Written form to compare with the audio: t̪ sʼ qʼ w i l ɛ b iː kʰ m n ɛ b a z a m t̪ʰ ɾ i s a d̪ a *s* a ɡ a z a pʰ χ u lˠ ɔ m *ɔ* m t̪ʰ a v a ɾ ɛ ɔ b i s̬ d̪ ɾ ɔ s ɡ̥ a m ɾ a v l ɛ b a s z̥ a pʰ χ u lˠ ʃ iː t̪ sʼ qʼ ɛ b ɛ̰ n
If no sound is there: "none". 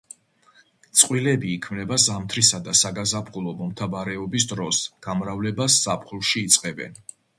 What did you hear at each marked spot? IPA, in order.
s, ɔ

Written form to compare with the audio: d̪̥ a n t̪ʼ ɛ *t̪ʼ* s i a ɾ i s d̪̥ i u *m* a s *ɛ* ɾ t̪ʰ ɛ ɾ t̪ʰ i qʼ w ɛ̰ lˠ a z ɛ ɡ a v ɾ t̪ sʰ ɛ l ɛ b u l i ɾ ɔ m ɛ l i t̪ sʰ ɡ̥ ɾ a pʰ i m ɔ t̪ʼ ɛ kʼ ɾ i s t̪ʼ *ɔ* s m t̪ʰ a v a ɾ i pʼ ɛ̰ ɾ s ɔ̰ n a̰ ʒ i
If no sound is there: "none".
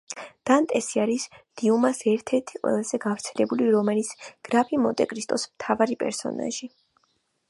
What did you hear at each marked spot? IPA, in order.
none, m, ɛ, ɔ

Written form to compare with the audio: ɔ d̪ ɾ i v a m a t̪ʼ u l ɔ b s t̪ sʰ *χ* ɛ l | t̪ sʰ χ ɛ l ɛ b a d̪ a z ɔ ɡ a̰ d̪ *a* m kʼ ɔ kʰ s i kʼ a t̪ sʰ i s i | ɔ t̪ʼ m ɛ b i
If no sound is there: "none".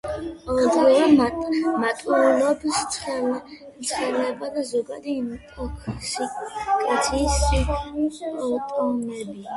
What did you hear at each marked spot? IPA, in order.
χ, i

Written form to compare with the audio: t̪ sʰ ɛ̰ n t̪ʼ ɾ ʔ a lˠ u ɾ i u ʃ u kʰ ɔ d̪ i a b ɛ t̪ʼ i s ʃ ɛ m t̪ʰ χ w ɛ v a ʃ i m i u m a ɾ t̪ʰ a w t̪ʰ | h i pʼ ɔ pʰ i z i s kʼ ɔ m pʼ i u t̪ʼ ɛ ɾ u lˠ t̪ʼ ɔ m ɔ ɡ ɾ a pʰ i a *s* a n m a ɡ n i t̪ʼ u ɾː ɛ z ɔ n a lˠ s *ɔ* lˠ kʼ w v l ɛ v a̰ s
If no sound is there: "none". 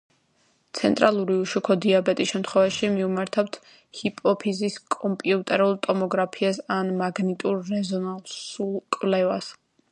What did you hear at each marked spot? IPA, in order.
s, u

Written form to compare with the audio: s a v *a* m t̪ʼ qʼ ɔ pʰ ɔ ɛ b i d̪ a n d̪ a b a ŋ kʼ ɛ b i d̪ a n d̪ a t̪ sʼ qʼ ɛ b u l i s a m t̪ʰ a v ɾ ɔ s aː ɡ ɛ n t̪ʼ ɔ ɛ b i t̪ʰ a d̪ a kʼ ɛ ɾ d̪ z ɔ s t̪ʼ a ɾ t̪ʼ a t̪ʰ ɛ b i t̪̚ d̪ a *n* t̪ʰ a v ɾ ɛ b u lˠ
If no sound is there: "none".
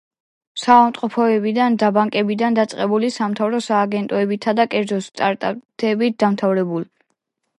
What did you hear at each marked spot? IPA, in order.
a, m

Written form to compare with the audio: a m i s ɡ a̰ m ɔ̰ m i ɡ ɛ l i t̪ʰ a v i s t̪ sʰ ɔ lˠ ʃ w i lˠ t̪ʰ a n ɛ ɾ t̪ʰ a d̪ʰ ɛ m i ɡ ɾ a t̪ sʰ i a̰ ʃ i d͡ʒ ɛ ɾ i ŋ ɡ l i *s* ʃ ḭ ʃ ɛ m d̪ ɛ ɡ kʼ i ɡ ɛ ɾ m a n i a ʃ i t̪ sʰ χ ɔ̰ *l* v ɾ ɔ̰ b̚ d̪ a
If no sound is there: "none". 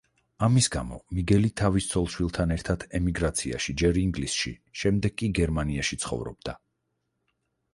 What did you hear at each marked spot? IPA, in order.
s, none

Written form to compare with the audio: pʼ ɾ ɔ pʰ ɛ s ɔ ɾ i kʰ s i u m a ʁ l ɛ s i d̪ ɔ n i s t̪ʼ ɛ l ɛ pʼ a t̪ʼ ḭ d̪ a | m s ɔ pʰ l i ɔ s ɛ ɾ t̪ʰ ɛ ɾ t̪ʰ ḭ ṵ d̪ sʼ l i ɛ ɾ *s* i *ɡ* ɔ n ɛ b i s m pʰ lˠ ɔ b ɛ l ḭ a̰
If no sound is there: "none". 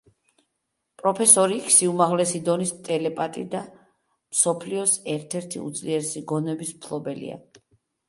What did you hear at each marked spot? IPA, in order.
s, ɡ

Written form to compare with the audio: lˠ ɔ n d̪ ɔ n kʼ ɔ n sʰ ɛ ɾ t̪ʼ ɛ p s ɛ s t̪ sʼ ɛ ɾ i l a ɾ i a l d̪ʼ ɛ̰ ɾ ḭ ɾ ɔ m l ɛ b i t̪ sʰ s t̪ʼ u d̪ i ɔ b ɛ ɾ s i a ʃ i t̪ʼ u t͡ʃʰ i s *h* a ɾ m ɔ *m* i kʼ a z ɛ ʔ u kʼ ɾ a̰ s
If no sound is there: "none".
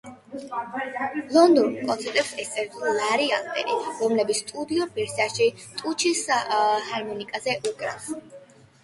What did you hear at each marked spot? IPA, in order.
h, n

